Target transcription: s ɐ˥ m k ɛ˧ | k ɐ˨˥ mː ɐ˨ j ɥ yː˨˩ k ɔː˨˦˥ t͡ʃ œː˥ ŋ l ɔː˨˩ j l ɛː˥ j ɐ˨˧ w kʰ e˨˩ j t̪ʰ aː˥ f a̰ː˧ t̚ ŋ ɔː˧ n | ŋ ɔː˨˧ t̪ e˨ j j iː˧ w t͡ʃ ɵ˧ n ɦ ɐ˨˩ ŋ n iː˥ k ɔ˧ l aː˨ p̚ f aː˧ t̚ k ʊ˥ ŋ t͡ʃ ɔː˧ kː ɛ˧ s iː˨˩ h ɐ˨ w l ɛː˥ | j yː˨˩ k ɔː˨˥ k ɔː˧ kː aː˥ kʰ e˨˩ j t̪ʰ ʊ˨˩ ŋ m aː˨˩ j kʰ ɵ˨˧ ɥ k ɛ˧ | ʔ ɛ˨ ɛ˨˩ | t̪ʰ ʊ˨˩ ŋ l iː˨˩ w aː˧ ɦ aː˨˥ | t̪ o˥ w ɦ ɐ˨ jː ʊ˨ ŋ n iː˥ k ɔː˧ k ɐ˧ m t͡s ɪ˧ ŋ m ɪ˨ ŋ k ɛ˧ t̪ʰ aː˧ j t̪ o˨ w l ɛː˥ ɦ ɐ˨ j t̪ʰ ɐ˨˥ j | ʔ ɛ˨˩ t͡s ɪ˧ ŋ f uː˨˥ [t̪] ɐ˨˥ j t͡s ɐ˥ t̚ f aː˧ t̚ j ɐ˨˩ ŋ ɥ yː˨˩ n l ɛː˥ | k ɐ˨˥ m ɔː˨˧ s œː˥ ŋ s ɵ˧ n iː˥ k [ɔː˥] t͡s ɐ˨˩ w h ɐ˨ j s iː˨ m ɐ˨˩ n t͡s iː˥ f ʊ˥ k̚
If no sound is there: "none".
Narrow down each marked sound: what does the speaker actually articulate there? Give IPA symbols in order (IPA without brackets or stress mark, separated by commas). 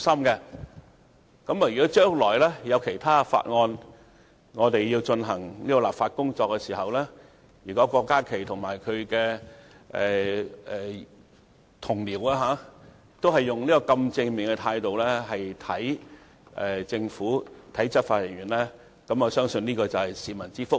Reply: t̪ʰ, ɔː˧